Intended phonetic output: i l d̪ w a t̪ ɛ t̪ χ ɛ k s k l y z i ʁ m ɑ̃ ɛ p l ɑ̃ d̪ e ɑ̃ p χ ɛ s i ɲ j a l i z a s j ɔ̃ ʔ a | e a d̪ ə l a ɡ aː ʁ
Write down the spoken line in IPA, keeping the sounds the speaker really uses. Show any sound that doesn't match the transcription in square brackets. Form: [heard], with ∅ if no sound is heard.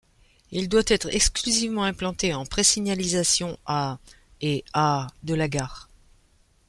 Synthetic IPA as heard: i l d̪ w a t̪ ɛ t̪ χ ɛ k s k l y z i [v] m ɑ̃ [ɛ̃] p l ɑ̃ [t̪] e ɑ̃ p χ [e] s i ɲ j a l i z a s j ɔ̃ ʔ a | e a d̪ ə l a ɡ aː ʁ